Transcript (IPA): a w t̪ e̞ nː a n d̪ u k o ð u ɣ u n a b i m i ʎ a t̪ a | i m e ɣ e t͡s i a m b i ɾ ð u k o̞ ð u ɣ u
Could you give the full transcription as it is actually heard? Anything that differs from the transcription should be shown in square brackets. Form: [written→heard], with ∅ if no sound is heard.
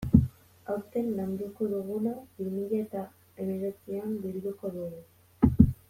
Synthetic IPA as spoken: a w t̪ e̞ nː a n d̪ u k o ð u ɣ u n a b i m i ʎ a t̪ a | [i→e] m e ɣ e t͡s i a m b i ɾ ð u k o̞ ð u ɣ u